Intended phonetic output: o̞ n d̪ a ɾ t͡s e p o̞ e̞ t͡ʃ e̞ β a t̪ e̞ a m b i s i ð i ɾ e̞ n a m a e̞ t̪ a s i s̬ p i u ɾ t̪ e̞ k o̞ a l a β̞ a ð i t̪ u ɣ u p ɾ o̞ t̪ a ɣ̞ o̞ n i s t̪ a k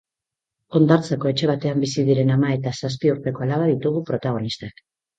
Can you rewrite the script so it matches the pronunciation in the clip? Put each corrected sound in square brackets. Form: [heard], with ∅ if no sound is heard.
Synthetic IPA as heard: o̞ n d̪ a ɾ t͡s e [k] o̞ e̞ t͡ʃ e̞ β a t̪ e̞ a m b i s i ð i ɾ e̞ n a m a e̞ t̪ a s [a] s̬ p i u ɾ t̪ e̞ k o̞ a l a β̞ a ð i t̪ u ɣ u p ɾ o̞ t̪ a ɣ̞ o̞ n i s t̪ a k